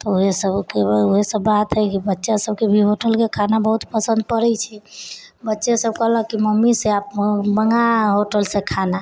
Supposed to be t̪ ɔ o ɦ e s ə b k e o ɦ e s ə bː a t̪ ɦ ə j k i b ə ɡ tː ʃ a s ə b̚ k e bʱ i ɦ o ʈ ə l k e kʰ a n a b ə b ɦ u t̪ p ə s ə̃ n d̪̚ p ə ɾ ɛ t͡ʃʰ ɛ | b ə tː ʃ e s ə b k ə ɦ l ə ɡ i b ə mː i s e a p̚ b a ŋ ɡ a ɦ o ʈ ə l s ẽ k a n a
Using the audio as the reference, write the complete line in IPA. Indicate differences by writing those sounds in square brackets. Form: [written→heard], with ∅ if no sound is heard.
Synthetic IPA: t̪ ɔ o ɦ e s ə b k e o ɦ e s ə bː a t̪ ɦ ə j k i b ə [ɡ→∅] tː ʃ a s ə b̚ k e bʱ i ɦ o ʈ ə l k e kʰ a n a b ə [b→∅] ɦ u t̪ p ə s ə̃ n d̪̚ p ə ɾ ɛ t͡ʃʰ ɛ | b ə tː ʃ e s ə b k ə ɦ l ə [ɡ→k] i [b→m] ə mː i s e a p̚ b [a→ə] ŋ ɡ a ɦ o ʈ ə l s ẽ [k→kʰ] a n a